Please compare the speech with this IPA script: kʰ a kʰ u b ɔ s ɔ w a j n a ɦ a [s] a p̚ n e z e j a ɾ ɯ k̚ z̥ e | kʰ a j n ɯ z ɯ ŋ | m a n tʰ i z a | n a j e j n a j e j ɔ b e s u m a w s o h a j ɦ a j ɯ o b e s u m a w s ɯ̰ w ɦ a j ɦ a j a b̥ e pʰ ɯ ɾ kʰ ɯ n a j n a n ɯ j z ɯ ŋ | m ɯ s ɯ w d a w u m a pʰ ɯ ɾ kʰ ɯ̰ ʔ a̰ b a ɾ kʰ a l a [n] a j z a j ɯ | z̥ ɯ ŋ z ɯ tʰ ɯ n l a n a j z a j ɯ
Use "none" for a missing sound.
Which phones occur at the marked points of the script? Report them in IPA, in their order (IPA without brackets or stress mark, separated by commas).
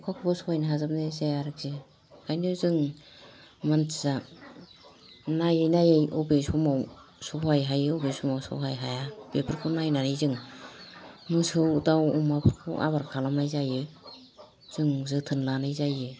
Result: z, m